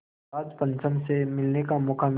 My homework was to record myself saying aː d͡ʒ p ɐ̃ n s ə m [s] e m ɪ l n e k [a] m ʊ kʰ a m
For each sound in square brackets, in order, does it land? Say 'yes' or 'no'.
yes, yes

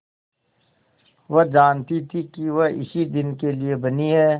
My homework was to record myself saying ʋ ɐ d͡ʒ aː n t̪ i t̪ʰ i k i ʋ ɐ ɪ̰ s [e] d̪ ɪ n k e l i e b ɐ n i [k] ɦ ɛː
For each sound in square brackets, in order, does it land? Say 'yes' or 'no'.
no, no

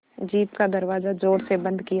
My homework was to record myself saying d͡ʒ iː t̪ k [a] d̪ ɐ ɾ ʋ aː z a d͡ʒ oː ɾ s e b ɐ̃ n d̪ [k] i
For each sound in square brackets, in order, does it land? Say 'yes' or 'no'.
yes, yes

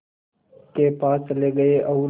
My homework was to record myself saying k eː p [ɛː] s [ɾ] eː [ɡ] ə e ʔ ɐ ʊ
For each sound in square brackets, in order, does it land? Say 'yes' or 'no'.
no, no, yes

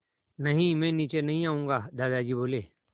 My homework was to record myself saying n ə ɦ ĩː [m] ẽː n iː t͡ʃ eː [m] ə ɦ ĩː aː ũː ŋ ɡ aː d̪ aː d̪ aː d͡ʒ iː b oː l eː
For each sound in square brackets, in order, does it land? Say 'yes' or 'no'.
yes, no

